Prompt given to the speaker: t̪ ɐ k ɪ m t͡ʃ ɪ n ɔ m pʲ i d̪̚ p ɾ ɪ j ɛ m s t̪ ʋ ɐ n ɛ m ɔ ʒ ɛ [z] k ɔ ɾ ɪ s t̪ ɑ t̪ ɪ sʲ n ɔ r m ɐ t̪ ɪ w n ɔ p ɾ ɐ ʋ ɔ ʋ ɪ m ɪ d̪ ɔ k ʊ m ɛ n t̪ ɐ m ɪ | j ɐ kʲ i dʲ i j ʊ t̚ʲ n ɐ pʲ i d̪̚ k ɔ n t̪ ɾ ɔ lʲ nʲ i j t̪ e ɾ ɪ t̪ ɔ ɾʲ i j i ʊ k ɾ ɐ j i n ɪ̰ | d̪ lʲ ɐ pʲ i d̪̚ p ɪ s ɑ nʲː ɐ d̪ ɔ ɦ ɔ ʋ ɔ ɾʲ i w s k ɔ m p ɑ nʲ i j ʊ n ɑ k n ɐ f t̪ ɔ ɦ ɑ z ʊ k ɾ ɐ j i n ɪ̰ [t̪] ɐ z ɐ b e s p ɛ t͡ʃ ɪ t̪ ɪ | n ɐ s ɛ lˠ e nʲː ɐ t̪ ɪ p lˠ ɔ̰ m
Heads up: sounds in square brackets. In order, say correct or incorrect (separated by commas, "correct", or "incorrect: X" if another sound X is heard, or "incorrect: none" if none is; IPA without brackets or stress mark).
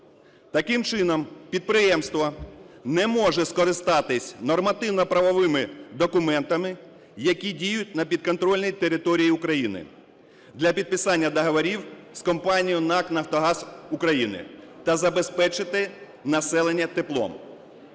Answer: incorrect: s, correct